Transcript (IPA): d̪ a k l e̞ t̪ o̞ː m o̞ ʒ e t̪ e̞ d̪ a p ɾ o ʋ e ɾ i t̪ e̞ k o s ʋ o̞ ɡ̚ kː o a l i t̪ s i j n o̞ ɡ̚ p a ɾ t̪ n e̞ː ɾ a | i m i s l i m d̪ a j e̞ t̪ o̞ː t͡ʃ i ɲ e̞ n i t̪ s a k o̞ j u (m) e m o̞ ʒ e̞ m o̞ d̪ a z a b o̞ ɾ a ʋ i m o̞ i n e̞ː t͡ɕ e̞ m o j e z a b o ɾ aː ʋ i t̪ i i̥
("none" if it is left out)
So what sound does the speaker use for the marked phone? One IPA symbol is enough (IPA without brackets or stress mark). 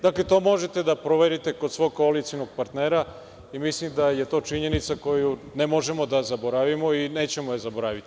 n